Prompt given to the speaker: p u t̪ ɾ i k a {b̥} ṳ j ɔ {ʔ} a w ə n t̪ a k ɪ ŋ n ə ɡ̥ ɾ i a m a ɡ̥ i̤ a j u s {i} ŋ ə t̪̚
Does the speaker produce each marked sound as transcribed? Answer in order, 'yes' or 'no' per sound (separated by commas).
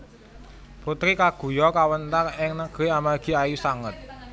no, no, no